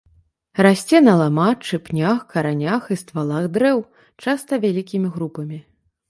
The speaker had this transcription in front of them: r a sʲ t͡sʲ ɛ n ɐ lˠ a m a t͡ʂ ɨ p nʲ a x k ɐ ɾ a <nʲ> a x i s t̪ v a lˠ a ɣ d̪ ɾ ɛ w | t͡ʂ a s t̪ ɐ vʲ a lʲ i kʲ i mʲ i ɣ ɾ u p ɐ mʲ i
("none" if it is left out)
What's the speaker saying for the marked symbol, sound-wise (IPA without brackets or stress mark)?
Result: nʲ